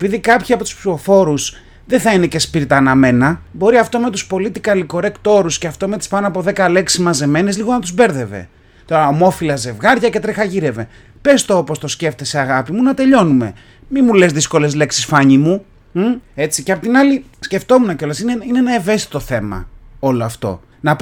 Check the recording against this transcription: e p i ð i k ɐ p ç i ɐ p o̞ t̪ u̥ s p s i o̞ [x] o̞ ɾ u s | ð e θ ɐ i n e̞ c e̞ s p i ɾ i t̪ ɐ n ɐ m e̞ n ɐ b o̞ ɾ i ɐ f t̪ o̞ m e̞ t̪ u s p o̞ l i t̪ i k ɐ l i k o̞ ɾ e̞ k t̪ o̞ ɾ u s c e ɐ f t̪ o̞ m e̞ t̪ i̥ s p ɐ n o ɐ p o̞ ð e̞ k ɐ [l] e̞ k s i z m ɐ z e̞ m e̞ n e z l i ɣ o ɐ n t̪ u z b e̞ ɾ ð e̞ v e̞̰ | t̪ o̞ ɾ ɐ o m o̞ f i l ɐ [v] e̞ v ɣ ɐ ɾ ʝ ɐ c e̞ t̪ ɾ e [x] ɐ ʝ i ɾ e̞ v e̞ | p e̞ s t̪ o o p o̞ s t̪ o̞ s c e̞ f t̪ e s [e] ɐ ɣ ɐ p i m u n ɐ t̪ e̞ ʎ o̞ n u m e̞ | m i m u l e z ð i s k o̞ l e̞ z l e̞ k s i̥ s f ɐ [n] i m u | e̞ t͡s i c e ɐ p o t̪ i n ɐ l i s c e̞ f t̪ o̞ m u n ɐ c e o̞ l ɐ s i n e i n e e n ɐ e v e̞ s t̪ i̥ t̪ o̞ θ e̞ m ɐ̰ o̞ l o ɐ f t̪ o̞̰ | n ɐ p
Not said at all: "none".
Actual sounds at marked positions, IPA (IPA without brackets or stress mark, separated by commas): f, l, z, x, e, ɲ